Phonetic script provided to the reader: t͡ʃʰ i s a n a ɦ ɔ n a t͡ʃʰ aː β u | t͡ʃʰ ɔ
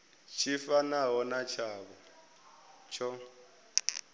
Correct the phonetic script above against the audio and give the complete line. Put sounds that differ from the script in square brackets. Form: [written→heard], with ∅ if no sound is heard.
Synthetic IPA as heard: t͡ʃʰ i [s→f] a n a ɦ ɔ n a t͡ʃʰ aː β [u→ɔ] | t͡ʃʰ ɔ